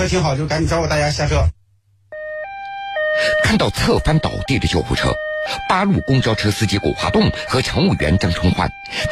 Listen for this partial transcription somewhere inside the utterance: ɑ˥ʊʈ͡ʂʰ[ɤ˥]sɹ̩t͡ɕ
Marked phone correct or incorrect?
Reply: correct